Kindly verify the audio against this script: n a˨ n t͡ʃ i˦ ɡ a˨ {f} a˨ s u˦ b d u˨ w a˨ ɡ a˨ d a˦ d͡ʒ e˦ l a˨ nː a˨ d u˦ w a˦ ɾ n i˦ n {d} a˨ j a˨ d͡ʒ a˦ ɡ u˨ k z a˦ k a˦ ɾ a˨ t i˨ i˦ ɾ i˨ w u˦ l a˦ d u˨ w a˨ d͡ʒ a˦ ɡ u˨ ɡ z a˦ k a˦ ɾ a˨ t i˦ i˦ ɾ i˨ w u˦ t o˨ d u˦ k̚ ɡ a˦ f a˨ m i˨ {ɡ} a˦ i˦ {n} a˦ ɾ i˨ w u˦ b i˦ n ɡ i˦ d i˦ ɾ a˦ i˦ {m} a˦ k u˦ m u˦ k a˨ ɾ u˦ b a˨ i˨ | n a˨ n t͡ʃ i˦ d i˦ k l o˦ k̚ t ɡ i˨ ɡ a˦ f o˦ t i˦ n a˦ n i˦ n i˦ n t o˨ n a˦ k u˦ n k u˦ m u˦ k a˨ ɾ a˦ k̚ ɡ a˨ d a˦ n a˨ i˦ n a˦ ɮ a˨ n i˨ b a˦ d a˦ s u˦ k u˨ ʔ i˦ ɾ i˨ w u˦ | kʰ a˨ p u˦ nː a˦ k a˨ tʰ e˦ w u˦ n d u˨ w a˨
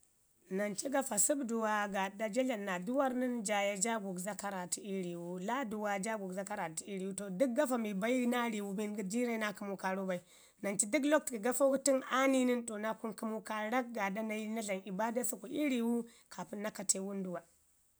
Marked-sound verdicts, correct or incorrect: correct, incorrect: d͡ʒ, incorrect: b, correct, incorrect: n

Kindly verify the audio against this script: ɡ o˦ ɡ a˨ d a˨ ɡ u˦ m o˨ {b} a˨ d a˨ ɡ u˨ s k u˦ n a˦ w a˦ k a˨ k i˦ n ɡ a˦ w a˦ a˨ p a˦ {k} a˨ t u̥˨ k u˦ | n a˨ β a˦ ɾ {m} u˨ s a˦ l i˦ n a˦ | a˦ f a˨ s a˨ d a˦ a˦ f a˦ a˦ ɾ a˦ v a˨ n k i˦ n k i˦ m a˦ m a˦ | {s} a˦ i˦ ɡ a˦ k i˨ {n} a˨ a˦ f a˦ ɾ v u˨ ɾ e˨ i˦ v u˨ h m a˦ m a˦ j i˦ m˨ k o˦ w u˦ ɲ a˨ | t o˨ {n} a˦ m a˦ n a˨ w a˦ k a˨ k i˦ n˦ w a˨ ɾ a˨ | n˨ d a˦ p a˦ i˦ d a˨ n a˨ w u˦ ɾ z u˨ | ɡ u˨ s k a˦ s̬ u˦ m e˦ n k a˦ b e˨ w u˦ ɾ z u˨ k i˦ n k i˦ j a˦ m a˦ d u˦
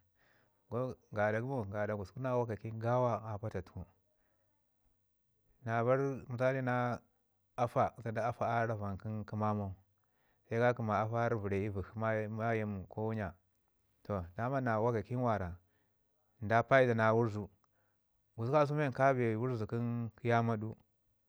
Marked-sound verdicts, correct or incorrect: incorrect: ɡ, incorrect: t, correct, correct, incorrect: m, incorrect: d

